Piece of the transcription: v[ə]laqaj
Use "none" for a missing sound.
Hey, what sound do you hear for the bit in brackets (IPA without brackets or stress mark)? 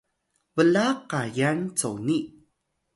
ə